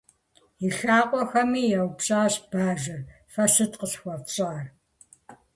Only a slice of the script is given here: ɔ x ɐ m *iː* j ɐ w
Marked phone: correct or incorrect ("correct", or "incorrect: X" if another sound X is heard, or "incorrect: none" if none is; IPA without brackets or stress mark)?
correct